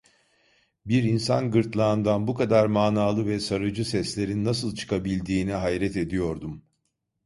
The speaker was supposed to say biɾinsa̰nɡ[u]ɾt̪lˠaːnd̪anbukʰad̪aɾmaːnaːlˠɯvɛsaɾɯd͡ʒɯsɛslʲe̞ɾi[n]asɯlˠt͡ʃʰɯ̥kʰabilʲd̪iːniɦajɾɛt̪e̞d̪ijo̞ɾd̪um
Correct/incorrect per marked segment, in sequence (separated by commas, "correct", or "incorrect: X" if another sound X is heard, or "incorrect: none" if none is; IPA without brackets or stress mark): incorrect: ɯ, incorrect: nː